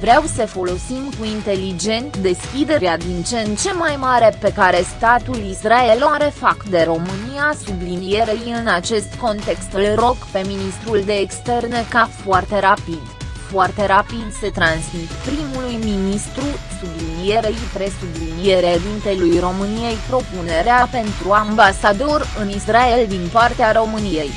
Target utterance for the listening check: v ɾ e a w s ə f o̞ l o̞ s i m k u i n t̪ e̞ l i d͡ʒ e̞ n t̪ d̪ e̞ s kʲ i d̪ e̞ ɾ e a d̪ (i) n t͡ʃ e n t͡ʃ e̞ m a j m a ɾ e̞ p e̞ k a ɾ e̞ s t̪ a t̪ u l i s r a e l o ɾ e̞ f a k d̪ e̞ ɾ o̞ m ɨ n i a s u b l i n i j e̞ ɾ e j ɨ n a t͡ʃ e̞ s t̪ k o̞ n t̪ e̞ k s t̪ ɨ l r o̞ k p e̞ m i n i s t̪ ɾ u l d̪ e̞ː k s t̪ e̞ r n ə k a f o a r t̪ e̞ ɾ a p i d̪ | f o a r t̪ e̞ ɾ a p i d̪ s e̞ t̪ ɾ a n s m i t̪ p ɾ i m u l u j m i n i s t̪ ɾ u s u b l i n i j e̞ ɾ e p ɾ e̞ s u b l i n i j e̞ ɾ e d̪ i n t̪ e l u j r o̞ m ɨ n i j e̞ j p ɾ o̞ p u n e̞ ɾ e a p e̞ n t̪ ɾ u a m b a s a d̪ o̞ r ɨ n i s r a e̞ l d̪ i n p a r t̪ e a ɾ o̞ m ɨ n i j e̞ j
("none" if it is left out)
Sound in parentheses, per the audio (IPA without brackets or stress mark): i